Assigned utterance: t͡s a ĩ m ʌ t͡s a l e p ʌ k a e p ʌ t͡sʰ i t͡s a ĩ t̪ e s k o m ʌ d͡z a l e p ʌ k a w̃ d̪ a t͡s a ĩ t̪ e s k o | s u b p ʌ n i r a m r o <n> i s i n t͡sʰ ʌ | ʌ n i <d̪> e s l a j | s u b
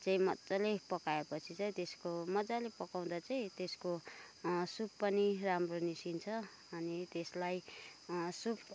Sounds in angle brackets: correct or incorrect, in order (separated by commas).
correct, incorrect